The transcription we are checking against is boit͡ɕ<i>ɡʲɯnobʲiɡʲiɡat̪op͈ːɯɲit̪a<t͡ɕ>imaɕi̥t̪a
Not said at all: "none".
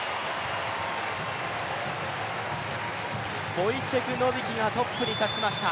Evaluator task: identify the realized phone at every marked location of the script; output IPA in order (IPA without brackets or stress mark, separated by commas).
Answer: e, t͡ɕ